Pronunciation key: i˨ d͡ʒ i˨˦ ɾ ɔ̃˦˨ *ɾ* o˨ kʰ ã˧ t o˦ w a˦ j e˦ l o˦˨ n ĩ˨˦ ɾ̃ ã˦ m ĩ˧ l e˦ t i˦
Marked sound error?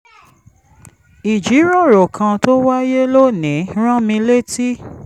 no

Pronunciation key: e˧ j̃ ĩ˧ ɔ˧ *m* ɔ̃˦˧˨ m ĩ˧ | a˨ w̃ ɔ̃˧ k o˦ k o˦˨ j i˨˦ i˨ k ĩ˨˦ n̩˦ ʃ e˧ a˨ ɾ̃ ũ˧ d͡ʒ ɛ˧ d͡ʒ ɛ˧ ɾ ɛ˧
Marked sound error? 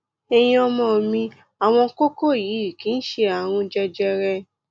no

